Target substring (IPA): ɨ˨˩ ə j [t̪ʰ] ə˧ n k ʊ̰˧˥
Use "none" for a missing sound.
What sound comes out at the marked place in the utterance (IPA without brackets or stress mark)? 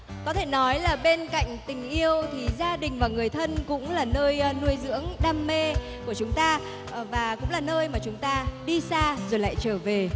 t̪ʰ